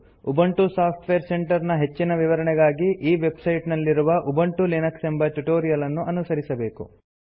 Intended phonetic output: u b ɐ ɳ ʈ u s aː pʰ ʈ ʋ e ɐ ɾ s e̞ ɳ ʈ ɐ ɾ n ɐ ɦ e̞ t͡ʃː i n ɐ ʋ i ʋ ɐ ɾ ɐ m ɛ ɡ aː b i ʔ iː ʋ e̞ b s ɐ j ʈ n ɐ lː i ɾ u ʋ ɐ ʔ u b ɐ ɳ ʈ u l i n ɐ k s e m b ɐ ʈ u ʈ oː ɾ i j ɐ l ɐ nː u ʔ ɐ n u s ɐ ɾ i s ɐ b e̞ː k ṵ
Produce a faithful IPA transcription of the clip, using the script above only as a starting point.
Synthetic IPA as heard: u b ɐ ɳ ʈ u s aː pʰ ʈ ʋ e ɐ ɾ s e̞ ɳ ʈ ɐ ɾ n ɐ ɦ e̞ t͡ʃː i n ɐ ʋ i ʋ ɐ ɾ ɐ ɳ ɛ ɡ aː ɡ i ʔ iː ʋ e̞ b s ɐ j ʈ n ɐ lː i ɾ u ʋ ɐ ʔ u b ɐ ɳ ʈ u l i n ɐ k s e m b ɐ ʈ u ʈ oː ɾ i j ɐ l ɐ nː u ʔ ɐ n u s ɐ ɾ i s ɐ b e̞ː k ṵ